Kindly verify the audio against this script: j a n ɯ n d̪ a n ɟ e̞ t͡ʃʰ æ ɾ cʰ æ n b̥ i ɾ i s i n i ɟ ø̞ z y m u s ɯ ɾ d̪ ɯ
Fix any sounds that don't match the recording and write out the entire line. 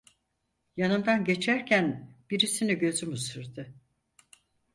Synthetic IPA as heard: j a n ɯ n d̪ a n ɟ e̞ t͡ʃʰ æ ɾ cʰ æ n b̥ i ɾ i s i n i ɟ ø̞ z y m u s ɯ ɾ d̪ ɯ